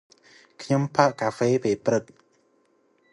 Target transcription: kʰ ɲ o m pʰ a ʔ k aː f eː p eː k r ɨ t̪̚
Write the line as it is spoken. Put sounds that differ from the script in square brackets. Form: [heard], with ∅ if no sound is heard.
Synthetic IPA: kʰ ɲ o m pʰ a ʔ k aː f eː p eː [p] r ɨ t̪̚